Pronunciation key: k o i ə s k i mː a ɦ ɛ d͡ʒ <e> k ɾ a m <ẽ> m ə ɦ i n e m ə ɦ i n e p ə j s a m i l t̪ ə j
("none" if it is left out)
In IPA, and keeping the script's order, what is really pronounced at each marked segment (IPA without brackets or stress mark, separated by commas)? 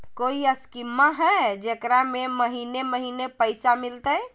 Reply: e, e